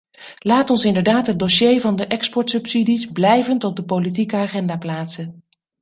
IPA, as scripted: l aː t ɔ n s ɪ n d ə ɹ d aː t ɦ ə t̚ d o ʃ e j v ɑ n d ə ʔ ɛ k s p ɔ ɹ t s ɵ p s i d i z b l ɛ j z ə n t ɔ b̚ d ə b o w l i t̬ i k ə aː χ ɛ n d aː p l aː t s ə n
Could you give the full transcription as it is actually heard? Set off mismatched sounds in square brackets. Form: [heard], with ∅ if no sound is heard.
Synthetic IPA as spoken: l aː t ɔ n s ɪ n d ə ɹ d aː t ɦ ə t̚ d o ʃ e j v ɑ n d ə ʔ ɛ k s p ɔ ɹ t s ɵ p s i d i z b l ɛ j [v] ə n t ɔ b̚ d ə [p] o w l i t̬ i k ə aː χ ɛ n d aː p l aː t s ə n